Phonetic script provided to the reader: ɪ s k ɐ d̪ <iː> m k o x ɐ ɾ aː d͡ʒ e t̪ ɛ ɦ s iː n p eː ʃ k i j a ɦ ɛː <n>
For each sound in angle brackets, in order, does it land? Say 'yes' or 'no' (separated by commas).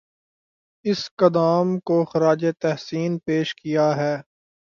no, no